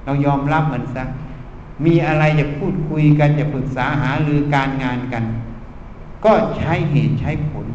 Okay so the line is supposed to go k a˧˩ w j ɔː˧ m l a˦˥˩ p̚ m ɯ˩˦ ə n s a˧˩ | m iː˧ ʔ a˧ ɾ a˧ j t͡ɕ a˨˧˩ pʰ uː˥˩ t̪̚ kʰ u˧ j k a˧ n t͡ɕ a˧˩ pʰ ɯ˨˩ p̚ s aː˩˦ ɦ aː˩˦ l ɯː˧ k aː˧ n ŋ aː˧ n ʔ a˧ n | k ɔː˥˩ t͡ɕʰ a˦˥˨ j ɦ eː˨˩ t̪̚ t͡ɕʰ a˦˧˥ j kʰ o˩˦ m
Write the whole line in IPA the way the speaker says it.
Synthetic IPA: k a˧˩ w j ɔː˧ m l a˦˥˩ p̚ m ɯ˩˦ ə n s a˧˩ | m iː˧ ʔ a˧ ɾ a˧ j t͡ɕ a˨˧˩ pʰ uː˥˩ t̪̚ kʰ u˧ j k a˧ n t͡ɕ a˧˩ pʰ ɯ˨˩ k̚ s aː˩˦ ɦ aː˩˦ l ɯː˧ k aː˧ n ŋ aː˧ n k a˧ n | k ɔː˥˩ t͡ɕʰ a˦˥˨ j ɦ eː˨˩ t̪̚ t͡ɕʰ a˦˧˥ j pʰ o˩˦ n